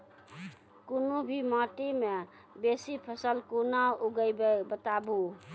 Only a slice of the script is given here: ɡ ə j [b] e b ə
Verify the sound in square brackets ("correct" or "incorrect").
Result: correct